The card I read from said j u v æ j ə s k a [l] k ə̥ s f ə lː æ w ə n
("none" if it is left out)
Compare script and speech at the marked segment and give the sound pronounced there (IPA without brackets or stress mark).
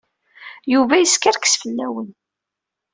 ɾ